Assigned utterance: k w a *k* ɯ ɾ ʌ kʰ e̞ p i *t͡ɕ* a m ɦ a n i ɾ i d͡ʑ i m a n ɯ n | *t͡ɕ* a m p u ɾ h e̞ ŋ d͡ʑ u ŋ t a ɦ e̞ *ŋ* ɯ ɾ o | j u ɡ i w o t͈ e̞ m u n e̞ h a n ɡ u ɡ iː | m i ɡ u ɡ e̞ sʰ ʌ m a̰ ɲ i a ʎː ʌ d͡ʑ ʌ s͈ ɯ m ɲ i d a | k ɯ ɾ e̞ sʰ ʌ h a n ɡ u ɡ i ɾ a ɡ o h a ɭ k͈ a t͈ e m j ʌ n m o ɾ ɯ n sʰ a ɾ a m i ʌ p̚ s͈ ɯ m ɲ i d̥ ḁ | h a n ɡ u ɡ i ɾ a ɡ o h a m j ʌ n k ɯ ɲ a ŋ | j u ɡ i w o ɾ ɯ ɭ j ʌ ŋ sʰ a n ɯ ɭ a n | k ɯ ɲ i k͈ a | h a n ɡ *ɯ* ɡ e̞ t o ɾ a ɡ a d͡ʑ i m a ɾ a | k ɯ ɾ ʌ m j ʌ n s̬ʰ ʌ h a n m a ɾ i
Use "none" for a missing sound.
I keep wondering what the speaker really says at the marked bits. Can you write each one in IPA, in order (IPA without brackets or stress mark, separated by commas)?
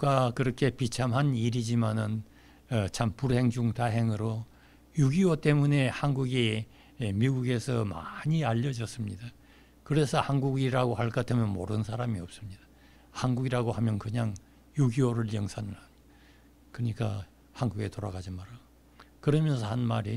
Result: k, t͡ɕʰ, t͡ɕʰ, ŋ, u